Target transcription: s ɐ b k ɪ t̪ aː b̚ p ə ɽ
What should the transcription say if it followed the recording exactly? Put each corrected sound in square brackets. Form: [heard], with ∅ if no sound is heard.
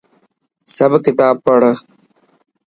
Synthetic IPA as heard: s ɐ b k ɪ t̪ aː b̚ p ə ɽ